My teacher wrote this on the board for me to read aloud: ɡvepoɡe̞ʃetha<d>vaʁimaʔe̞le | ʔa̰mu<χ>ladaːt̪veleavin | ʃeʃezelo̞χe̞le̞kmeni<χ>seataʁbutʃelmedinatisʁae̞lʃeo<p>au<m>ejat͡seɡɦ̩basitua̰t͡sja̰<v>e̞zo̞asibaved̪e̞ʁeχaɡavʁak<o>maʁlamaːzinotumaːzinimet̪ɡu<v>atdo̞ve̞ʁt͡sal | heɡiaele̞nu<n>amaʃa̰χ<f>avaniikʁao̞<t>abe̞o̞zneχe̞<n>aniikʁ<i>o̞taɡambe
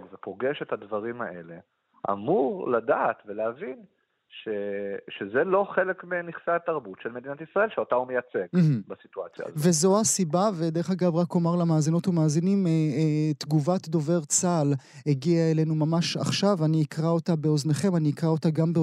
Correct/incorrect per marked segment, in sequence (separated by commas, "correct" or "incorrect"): correct, incorrect, correct, incorrect, correct, correct, correct, correct, incorrect, incorrect, correct, incorrect, incorrect